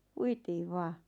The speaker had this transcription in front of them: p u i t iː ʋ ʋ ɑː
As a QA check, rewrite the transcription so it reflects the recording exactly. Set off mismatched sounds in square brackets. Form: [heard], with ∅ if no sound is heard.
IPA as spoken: p u i t iː ʋ ʋ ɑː